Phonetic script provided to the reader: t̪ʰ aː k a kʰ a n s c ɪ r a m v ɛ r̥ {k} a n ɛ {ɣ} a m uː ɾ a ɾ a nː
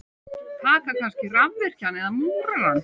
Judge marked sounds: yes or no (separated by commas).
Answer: no, no